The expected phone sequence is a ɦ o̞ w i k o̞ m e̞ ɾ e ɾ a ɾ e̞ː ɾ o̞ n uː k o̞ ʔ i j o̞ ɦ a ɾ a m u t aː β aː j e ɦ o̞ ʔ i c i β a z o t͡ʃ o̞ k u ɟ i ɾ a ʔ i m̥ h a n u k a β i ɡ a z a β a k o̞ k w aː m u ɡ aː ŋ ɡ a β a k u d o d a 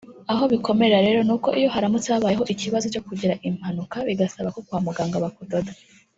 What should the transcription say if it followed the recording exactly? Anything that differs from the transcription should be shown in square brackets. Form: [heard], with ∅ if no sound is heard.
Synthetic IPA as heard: a ɦ o̞ [β] i k o̞ m e̞ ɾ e ɾ a ɾ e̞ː ɾ o̞ n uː k o̞ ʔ i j o̞ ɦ a ɾ a m u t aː β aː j e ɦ o̞ ʔ i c i β a z o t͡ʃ o̞ k u ɟ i ɾ a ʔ i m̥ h a n u k a β i ɡ a [s] a β a k o̞ k w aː m u ɡ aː ŋ ɡ a β a k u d o d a